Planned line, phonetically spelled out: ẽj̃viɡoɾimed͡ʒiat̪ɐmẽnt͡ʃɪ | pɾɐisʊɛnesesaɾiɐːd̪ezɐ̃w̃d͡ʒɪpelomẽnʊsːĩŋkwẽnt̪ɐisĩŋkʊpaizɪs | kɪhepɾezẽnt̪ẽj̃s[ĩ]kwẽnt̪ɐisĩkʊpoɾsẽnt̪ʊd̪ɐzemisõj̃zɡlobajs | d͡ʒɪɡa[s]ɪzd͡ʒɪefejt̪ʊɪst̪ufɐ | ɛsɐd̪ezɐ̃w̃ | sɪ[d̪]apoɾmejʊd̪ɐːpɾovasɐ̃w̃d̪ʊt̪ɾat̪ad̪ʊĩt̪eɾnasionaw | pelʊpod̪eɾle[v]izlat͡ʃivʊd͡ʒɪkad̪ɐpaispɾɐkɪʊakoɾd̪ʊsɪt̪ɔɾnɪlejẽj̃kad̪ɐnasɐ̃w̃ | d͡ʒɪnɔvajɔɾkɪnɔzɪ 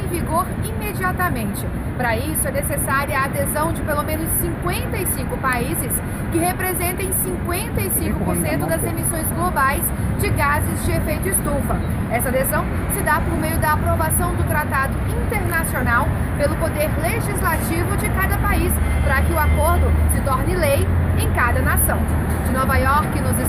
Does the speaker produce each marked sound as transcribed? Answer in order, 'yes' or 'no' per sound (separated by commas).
yes, no, yes, no